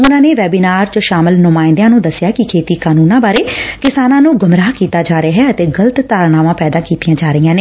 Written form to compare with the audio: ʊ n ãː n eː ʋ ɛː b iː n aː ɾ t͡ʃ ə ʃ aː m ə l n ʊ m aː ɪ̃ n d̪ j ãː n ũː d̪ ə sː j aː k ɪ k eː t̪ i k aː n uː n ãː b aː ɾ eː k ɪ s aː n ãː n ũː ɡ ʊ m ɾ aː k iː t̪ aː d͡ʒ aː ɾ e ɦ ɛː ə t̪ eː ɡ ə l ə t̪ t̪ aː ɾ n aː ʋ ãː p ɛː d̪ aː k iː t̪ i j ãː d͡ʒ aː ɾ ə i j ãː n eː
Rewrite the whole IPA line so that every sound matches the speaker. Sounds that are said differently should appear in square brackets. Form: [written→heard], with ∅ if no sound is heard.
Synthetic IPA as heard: ʊ n ãː n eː ʋ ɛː b iː n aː ɾ t͡ʃ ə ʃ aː m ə l n ʊ m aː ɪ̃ n d̪ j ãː n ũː d̪ ə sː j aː k ɪ [k→kʰ] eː t̪ [i→iː] k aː n uː n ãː b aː ɾ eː k ɪ s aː n ãː n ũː ɡ ʊ m ɾ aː k iː t̪ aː d͡ʒ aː ɾ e ɦ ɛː ə t̪ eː ɡ ə l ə t̪ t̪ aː ɾ n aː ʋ ãː p ɛː d̪ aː k iː t̪ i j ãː d͡ʒ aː ɾ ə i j ãː n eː